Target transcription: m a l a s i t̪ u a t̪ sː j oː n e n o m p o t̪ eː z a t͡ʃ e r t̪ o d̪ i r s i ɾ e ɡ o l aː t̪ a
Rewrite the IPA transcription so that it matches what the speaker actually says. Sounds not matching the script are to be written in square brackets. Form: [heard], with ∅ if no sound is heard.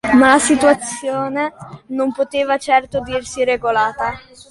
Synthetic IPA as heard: m a l a s i t̪ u a t̪ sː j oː n e n o m p o t̪ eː [v] a t͡ʃ [ɛ] r t̪ o d̪ i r s i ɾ e ɡ o l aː t̪ a